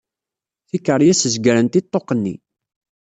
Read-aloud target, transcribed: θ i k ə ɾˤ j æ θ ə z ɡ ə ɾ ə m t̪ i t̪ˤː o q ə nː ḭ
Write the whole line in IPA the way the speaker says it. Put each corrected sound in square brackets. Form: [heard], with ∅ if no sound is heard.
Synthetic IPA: θ i k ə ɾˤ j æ [s] ə z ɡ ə ɾ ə [n] t̪ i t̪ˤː o q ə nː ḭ